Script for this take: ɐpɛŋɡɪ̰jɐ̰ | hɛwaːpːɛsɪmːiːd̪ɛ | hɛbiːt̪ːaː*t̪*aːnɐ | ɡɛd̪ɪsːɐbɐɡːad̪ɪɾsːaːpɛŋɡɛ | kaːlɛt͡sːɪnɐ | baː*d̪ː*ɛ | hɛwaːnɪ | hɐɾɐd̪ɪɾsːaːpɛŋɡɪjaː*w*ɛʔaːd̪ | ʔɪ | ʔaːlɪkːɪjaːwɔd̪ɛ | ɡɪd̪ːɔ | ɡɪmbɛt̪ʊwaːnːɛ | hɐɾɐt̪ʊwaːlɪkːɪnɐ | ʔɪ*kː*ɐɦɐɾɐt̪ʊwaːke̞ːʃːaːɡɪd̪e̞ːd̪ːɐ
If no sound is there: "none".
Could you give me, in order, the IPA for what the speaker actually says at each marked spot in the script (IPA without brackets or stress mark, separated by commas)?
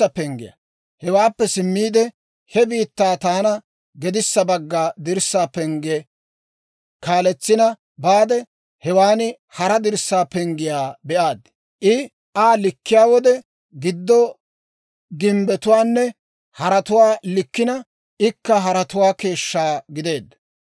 t̪, d̪, b, kː